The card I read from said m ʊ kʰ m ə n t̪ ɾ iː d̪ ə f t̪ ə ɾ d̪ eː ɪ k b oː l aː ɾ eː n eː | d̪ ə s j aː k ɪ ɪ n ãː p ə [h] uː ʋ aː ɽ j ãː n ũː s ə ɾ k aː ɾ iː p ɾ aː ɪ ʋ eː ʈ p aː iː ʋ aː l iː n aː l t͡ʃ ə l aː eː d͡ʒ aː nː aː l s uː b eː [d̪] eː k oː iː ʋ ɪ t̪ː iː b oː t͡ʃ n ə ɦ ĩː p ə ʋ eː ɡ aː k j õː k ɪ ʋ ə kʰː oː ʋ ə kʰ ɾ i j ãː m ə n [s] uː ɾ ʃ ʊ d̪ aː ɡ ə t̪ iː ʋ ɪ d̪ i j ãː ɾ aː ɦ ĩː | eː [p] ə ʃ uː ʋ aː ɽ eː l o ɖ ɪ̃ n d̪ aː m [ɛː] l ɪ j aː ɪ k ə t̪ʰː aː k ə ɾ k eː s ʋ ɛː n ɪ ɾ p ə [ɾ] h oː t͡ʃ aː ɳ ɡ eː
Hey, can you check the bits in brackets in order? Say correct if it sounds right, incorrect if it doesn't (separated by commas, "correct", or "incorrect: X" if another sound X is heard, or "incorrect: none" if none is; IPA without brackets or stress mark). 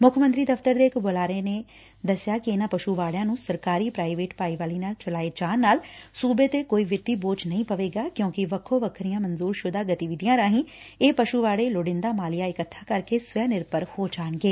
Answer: incorrect: ʃ, incorrect: t̪, incorrect: z, correct, incorrect: aː, correct